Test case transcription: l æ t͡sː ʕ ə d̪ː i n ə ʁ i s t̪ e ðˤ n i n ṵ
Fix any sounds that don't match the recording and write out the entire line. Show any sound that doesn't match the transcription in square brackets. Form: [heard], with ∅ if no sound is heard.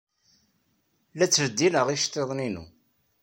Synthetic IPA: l æ t͡sː [v] ə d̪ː i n ə ʁ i [ʃ] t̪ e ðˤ n i n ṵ